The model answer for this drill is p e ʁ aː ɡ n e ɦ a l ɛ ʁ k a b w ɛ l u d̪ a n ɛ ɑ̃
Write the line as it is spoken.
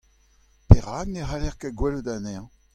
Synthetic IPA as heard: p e ʁ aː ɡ n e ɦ a l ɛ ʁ k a ɡ w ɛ l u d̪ a n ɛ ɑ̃